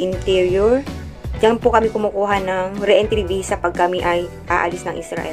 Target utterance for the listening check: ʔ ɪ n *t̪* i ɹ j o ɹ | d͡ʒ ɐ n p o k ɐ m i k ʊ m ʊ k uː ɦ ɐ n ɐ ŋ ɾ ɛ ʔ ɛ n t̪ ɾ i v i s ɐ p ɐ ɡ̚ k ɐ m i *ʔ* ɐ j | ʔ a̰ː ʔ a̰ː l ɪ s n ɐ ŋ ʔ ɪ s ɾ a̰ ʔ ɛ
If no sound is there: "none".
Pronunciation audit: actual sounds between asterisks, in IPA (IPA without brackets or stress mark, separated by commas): t̪, ʔ